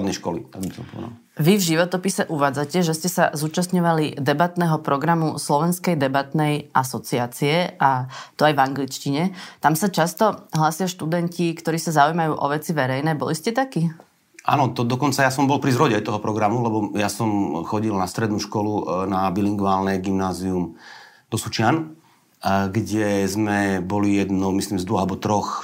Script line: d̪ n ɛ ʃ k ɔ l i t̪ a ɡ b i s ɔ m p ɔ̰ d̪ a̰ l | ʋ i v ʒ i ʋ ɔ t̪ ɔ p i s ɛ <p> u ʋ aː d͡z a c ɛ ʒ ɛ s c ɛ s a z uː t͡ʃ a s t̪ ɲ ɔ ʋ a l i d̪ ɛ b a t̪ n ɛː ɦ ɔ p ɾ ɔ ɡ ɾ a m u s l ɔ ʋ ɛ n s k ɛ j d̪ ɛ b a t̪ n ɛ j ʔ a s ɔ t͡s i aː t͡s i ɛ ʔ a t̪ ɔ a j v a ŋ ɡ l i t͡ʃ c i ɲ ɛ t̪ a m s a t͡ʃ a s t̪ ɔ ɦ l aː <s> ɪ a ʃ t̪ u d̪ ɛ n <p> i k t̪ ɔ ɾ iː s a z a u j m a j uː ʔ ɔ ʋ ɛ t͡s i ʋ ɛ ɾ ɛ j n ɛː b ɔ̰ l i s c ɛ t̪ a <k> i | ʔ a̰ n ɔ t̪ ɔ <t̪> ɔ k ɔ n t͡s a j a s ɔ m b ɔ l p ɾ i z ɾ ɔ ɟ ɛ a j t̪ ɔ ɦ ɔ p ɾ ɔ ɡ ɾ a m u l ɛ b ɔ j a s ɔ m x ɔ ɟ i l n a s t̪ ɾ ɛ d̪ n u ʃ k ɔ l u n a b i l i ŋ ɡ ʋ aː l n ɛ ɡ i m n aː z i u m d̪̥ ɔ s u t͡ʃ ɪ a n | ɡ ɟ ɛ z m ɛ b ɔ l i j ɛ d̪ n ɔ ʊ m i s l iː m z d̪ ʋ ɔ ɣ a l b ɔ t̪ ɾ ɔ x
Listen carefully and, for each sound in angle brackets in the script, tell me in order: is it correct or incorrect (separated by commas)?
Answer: incorrect, correct, incorrect, correct, incorrect